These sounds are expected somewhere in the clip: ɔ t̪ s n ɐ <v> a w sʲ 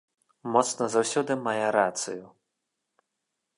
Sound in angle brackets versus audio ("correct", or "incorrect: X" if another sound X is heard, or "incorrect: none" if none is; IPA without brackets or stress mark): incorrect: z